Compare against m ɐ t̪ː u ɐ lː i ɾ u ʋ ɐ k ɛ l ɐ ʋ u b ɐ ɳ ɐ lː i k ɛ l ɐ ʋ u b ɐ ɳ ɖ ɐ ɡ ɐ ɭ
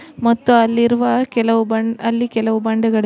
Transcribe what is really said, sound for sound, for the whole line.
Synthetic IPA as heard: m ɐ t̪ː u ɐ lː i ɾ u ʋ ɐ k ɛ l ɐ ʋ u b ɐ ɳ ɐ lː i k ɛ l ɐ ʋ u b ɐ ɳ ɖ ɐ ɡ ɐ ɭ

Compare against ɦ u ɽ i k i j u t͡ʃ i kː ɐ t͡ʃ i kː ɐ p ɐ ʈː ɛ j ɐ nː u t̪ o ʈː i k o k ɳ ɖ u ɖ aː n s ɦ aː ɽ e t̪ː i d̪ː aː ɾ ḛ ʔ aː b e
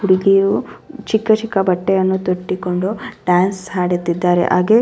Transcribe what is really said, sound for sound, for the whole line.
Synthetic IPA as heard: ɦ u ɽ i ɡ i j u t͡ʃ i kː ɐ t͡ʃ i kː ɐ b ɐ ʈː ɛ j ɐ nː u t̪ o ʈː i k o ɳ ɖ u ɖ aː n s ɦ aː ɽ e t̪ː i d̪ː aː ɾ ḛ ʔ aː ɡ e

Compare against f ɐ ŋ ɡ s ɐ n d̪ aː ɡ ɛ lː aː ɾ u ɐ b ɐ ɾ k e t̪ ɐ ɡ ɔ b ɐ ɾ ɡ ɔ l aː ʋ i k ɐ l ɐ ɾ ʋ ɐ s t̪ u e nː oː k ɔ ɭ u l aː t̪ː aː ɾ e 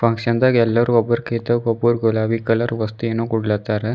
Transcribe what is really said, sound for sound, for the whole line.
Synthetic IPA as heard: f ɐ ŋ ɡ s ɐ n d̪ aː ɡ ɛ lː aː ɾ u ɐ b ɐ ɾ k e t̪ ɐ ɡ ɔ b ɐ ɾ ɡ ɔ l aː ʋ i k ɐ l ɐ ɾ ʋ ɐ s t̪ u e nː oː k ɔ ɽ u l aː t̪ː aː ɾ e

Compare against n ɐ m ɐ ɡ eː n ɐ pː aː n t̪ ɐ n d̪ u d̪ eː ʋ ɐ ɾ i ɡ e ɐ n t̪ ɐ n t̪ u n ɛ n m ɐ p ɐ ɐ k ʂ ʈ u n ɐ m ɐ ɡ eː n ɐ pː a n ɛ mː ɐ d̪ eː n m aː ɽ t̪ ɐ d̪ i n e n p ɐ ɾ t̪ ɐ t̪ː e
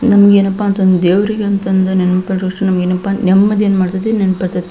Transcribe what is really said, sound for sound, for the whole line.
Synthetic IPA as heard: n ɐ m ɐ ɡ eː n ɐ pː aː n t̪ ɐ n d̪ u d̪ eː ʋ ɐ ɾ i ɡ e ɐ n t̪ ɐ n d̪ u n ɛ n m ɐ p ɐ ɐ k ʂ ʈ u n ɐ m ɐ ɡ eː n ɐ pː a n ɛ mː ɐ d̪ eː n m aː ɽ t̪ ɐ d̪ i n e n p ɐ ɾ t̪ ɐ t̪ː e

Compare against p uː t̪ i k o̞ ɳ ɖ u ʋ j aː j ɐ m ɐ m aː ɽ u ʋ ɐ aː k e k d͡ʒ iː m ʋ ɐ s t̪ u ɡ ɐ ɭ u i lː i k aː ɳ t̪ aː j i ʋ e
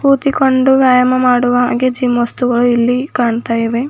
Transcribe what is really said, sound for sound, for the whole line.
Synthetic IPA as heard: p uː t̪ i k o̞ ɳ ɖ u ʋ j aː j ɐ m ɐ m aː ɽ u ʋ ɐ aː ɡ e d͡ʒ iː m ʋ ɐ s t̪ u ɡ ɐ ɭ u i lː i k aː ɳ t̪ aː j i ʋ e

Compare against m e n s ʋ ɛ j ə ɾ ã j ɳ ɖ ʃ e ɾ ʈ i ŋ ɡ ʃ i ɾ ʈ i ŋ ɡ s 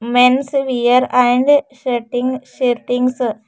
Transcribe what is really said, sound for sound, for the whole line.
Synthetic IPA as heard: m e n s ʋ i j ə ɾ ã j ɳ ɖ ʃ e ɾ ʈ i ŋ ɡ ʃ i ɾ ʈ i ŋ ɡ s

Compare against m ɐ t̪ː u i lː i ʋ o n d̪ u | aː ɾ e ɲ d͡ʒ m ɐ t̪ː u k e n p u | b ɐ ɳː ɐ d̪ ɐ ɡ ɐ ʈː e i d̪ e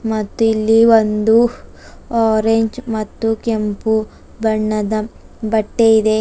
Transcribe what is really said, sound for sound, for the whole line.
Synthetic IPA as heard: m ɐ t̪ː u i lː i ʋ o n d̪ u | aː ɾ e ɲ d͡ʒ m ɐ t̪ː u k e m p u | b ɐ ɳː ɐ d̪ ɐ b ɐ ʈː e i d̪ e

